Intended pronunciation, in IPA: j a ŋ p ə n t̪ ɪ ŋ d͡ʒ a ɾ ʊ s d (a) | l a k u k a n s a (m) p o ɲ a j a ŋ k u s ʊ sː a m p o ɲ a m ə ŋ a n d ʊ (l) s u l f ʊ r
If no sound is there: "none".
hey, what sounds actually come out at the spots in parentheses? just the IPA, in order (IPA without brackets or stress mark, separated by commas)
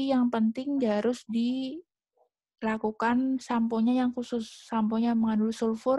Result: i, m, l